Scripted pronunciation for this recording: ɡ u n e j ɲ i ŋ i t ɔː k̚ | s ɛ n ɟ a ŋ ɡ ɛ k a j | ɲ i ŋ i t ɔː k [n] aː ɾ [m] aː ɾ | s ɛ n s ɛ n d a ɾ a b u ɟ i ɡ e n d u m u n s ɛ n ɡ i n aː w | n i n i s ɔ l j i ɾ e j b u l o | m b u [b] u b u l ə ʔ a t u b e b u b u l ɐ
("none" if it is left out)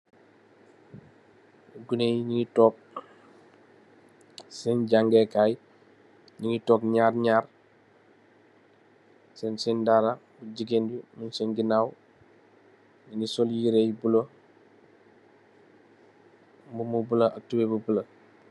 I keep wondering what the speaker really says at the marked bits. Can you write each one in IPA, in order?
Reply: ɲ, ɲ, m

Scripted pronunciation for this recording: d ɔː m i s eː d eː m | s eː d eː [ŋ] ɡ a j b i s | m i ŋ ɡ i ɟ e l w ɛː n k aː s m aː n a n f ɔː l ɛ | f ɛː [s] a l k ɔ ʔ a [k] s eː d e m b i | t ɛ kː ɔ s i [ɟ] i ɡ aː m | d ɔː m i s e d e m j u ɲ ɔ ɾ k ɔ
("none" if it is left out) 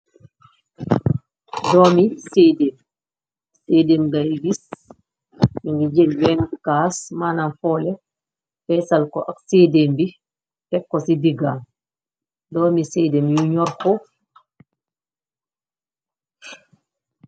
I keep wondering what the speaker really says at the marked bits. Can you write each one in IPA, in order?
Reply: m, s, k, d

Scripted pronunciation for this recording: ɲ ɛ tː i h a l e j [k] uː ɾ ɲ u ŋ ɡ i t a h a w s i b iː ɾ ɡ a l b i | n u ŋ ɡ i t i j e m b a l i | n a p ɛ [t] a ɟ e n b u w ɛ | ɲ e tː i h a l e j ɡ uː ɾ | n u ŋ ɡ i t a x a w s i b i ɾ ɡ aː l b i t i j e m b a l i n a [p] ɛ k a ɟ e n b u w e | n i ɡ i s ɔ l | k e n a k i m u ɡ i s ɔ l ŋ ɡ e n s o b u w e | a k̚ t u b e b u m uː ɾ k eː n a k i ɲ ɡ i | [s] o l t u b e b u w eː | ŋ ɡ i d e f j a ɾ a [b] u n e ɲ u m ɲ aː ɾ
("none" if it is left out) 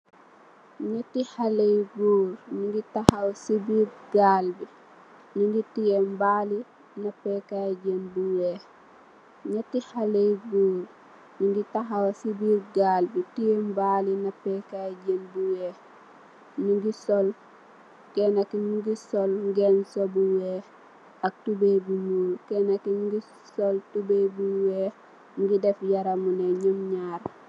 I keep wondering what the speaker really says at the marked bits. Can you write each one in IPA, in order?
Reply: ɡ, k, p, s, m

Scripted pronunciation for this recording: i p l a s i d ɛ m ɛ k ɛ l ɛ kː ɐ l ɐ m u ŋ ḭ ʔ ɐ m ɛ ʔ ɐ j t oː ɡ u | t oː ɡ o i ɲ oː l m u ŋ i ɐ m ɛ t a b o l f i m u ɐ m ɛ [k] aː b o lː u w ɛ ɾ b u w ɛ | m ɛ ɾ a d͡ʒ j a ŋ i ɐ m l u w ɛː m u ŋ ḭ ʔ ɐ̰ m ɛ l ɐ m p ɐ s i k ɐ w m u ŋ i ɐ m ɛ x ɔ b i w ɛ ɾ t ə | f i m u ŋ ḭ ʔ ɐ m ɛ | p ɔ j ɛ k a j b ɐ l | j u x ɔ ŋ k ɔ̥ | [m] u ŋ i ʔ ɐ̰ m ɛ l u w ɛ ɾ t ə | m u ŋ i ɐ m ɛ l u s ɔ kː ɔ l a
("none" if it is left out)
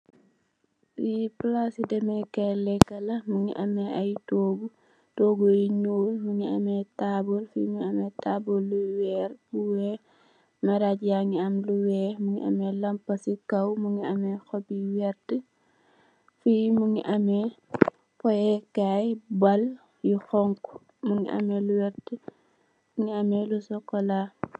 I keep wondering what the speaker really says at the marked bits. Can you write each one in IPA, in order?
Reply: t, m

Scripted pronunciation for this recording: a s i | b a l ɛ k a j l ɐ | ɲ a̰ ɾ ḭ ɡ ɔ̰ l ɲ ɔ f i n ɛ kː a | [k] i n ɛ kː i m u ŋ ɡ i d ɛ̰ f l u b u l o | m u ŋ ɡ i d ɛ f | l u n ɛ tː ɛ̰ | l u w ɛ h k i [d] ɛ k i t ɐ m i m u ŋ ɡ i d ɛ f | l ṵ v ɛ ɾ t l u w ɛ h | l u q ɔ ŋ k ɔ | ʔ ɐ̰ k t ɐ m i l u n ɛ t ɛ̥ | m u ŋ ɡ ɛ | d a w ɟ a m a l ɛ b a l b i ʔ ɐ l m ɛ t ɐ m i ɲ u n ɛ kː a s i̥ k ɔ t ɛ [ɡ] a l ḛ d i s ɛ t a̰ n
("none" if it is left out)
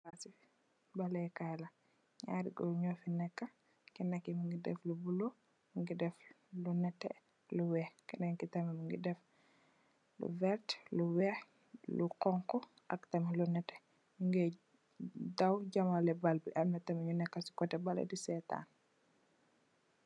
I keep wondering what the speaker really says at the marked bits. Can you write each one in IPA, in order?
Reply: k, n, b

